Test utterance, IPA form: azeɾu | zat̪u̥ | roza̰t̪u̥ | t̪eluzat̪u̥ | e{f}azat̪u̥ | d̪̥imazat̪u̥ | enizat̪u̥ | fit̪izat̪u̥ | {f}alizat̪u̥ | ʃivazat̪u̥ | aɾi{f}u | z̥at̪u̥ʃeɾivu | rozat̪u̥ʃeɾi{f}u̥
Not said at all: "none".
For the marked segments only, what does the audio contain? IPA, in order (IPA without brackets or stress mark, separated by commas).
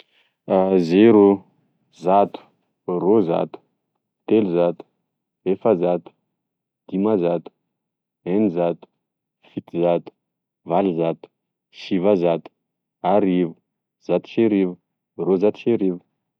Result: f, v, v, v